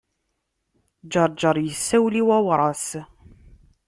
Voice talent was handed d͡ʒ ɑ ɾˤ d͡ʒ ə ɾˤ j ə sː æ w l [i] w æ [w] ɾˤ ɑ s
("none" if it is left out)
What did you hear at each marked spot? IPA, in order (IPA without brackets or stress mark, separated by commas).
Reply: i, w